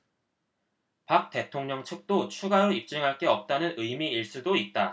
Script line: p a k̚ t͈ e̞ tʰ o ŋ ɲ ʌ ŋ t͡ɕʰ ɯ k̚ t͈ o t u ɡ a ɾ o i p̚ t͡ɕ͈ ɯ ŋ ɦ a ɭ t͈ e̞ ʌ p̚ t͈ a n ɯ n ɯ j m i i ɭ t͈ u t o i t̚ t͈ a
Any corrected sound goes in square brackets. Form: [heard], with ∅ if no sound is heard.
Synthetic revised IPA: p a k̚ t͈ e̞ tʰ o ŋ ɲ ʌ ŋ t͡ɕʰ ɯ k̚ t͈ o [t͡ɕʰ] u ɡ a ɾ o i p̚ t͡ɕ͈ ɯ ŋ ɦ a ɭ [k͈] e̞ ʌ p̚ t͈ a n ɯ n ɯ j m i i ɭ [s͈] u [d] o i t̚ t͈ a